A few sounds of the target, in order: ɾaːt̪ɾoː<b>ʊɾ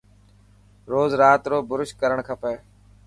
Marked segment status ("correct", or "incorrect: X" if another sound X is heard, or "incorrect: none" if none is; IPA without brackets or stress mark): correct